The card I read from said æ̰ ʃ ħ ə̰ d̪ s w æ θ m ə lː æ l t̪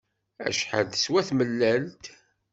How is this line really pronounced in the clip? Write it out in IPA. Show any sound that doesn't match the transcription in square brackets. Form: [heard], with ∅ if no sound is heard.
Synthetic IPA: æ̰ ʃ ħ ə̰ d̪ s w æ θ m ə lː æ l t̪